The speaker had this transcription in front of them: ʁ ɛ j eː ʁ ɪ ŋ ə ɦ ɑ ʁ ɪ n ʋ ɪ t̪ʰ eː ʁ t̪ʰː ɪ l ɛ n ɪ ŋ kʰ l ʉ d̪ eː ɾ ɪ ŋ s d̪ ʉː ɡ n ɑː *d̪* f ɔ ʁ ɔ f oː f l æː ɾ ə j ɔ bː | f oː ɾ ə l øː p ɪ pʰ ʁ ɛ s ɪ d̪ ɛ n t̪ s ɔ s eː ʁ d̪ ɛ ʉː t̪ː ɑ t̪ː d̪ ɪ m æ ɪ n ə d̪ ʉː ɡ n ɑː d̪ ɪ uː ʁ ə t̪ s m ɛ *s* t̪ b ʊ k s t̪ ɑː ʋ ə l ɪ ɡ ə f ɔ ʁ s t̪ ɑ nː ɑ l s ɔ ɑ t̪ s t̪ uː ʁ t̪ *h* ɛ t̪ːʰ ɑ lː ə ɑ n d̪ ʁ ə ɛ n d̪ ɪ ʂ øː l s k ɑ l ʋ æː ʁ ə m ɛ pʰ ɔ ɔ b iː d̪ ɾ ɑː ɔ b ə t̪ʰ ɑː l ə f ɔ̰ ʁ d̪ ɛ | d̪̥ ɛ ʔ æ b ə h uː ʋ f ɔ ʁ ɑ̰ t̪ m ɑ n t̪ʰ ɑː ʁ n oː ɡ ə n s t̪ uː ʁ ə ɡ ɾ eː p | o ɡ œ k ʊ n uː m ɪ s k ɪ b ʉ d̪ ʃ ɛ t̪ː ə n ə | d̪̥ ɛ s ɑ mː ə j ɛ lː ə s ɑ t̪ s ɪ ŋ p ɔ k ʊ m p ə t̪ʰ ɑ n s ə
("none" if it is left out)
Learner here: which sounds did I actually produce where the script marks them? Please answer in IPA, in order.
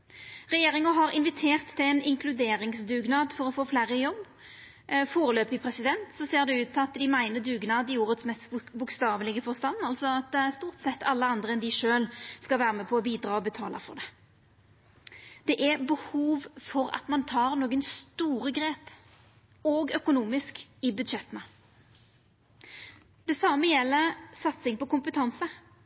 d̪, s, s

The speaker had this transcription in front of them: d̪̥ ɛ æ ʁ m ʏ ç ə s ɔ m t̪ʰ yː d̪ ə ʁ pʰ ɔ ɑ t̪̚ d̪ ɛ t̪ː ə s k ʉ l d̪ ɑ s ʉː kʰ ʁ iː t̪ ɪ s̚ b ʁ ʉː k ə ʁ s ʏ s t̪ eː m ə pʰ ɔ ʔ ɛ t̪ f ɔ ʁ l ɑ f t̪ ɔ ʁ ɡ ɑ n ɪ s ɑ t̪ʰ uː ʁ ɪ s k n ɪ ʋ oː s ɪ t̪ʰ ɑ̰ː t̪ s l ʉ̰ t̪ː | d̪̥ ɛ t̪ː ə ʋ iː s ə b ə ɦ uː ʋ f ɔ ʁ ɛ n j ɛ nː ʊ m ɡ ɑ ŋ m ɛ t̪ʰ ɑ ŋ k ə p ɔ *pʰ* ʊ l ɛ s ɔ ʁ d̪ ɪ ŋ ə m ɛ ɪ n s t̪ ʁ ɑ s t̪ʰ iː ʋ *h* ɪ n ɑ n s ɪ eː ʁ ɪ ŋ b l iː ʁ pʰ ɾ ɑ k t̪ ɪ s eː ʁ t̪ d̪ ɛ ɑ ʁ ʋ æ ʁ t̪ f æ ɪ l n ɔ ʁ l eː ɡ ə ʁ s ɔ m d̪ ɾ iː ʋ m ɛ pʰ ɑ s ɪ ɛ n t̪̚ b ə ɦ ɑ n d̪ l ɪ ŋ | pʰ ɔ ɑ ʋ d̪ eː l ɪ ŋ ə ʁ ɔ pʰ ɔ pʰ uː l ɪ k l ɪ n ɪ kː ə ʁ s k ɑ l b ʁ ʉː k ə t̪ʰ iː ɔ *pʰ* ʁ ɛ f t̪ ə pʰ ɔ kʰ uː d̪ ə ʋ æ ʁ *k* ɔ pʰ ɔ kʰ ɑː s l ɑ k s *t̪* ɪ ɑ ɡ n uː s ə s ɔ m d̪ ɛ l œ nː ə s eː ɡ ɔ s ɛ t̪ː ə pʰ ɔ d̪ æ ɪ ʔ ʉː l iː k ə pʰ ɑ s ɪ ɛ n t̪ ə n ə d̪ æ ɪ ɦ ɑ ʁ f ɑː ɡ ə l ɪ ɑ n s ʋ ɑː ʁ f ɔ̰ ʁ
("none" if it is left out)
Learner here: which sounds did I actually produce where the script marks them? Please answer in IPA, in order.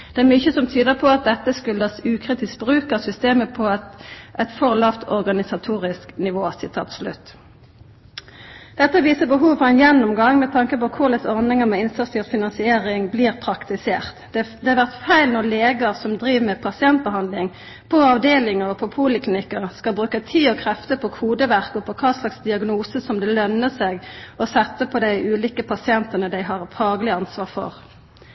kʰ, f, kʰ, k, d̪

